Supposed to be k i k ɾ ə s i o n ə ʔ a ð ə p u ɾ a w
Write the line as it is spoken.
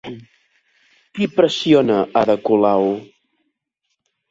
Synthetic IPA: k i p ɾ ə s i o n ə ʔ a ð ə k u l a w